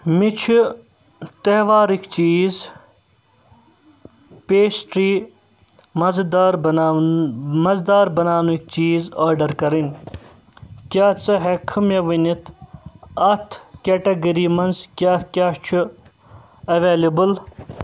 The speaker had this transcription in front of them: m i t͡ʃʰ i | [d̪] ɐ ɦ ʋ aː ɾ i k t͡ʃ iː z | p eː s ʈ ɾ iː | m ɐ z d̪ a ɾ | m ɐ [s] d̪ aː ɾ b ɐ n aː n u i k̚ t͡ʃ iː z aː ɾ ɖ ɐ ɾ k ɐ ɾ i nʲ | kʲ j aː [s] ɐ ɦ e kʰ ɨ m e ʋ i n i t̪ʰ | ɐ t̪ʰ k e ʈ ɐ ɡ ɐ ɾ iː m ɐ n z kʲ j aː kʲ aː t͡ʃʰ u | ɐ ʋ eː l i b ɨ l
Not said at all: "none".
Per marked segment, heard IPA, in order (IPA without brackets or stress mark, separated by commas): t̪, z, t͡s